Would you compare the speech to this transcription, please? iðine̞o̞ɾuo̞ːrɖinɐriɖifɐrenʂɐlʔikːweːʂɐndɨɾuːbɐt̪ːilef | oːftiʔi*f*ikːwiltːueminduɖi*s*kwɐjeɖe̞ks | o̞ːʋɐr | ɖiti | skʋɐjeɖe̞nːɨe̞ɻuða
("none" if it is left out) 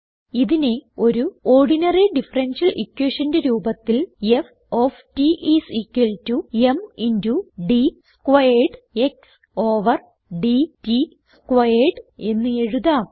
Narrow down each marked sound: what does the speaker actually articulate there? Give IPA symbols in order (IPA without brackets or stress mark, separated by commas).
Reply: s, s